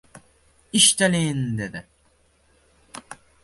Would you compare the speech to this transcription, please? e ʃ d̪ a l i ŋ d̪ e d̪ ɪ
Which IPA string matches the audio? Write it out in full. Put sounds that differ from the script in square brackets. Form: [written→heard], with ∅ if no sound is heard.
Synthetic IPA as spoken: [e→i] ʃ [d̪→t̪] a l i [ŋ→n] d̪ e d̪ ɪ